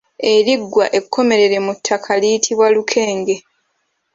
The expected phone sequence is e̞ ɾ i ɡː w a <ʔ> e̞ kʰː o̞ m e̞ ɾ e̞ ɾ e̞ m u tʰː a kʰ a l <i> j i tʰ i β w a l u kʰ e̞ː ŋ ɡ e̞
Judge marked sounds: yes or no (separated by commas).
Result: yes, yes